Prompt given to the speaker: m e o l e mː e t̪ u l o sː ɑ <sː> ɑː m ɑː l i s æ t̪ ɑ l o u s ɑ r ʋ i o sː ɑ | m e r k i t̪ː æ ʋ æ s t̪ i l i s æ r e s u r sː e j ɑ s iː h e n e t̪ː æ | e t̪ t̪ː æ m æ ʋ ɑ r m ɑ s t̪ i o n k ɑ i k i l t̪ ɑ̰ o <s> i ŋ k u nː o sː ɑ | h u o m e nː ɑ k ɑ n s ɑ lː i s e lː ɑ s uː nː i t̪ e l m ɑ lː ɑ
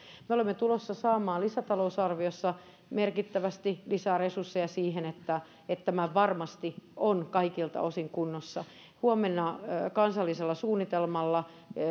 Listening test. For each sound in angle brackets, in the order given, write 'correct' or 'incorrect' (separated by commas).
incorrect, correct